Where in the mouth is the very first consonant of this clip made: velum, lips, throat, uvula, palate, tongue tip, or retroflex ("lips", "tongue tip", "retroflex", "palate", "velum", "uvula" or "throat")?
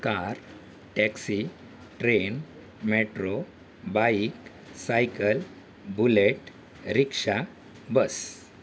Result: velum